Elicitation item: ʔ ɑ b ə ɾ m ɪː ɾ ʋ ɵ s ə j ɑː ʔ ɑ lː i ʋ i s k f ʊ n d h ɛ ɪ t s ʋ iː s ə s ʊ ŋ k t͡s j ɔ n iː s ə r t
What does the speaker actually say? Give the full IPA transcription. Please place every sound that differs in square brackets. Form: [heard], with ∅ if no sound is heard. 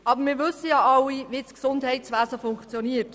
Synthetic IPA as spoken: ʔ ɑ b ə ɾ m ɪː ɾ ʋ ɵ s ə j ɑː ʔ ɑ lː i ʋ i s k [s] ʊ n d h ɛ ɪ t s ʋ [æː] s ə [f] ʊ ŋ k t͡s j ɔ n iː [∅] ə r t